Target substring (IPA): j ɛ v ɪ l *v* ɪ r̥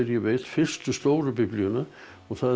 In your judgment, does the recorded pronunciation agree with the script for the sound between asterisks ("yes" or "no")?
no